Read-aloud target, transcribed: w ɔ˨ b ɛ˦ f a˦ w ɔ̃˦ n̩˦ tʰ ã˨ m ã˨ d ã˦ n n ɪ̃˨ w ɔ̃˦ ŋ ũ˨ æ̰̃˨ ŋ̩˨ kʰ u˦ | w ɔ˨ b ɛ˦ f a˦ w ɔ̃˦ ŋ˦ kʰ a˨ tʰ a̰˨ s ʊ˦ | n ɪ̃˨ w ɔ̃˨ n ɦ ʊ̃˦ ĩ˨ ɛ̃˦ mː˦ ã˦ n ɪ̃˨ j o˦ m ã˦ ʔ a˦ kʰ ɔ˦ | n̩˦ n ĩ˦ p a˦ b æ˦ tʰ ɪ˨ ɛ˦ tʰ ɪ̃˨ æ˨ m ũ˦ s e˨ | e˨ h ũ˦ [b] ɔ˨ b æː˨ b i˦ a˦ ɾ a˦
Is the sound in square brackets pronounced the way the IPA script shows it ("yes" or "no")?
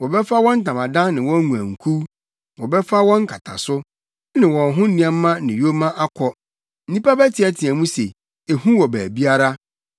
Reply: no